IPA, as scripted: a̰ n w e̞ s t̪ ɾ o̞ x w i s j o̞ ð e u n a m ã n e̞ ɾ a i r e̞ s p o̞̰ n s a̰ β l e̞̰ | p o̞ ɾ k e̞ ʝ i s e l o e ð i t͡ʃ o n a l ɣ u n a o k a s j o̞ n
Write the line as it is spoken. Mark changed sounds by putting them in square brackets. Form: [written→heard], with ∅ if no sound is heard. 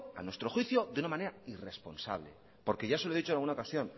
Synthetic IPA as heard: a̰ n w e̞ s t̪ ɾ o̞ x w i [s→θ] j o̞ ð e u n a m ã n e̞ ɾ a i r e̞ s p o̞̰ n s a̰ β l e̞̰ | p o̞ ɾ k e̞ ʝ [i→a] s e l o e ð i t͡ʃ o n a l ɣ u n a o k a s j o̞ n